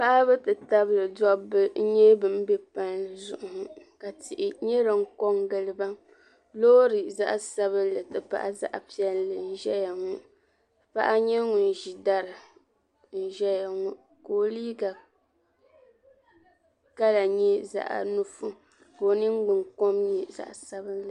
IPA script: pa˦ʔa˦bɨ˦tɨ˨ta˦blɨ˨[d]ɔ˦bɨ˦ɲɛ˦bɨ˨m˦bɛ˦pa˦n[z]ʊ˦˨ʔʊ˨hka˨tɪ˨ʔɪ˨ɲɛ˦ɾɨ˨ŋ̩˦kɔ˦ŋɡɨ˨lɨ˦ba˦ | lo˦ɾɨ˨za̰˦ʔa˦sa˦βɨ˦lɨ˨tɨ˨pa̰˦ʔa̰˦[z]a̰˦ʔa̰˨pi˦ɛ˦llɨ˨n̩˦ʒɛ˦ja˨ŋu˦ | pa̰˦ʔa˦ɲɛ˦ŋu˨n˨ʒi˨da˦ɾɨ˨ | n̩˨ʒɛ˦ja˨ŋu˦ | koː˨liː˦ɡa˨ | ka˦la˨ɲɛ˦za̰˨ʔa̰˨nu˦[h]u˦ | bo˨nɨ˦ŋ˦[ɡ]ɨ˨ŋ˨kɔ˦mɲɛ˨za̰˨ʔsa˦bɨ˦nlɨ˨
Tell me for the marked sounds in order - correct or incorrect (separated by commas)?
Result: correct, correct, correct, incorrect, incorrect